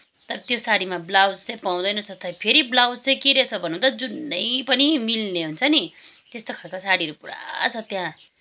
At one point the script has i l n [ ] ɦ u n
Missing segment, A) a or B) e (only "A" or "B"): B